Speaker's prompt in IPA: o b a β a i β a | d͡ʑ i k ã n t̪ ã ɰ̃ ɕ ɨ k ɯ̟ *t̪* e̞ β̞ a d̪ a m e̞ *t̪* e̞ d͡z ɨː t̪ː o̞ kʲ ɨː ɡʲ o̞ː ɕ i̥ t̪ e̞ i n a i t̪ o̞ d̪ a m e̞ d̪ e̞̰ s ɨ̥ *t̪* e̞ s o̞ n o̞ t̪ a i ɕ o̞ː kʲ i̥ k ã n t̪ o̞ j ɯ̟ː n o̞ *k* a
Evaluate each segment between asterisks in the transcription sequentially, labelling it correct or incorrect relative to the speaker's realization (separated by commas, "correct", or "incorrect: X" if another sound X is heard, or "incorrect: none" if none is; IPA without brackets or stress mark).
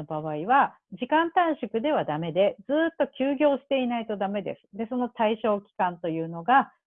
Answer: incorrect: d̪, incorrect: d̪, incorrect: d̪, incorrect: ɡ